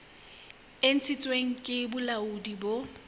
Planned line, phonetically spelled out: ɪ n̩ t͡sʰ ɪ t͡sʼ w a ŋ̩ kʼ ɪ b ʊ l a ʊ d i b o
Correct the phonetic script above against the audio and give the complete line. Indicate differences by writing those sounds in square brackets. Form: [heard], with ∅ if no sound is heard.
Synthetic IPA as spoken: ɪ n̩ t͡sʰ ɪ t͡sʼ w [e] ŋ̩ kʼ ɪ b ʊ l a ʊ d i b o